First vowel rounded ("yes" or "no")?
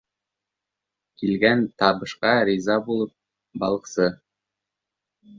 no